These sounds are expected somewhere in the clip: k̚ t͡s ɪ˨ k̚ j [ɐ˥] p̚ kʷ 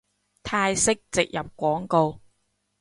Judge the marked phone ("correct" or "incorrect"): incorrect